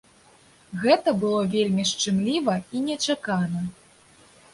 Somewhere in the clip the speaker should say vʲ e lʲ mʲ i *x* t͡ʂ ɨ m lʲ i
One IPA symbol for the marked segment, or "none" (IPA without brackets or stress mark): ʂ